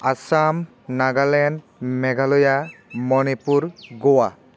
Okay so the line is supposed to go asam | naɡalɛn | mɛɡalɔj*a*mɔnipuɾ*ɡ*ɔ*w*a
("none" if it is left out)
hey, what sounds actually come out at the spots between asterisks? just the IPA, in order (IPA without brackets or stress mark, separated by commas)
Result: a, ɡ, w